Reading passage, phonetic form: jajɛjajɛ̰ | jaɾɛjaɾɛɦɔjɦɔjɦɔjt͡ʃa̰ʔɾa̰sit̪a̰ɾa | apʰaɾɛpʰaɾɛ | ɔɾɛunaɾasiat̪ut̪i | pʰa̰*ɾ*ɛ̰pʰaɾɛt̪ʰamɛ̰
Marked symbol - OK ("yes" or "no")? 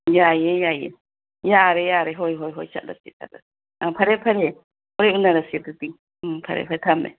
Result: yes